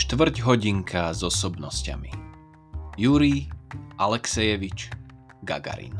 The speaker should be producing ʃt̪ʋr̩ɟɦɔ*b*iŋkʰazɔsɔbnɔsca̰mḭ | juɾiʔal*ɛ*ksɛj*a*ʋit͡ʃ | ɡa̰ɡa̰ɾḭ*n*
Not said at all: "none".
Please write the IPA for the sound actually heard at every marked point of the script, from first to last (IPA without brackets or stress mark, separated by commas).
ɟ, ɛ, ɛ, n